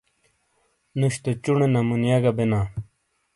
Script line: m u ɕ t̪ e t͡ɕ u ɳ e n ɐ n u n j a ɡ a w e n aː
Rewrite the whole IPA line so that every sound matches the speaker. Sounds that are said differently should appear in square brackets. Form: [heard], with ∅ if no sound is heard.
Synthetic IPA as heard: [n] u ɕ t̪ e t͡ɕ u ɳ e n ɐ [m] u n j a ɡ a [b] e n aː